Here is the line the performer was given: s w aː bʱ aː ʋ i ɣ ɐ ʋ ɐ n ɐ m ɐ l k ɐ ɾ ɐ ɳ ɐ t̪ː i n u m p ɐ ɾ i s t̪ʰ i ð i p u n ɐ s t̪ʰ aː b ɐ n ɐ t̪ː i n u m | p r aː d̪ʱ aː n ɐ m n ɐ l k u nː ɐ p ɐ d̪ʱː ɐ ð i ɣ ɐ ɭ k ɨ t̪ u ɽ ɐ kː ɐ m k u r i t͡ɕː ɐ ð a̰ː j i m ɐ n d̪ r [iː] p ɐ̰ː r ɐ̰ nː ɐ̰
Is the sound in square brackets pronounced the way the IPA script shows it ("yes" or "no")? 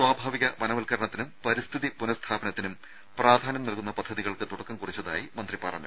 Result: no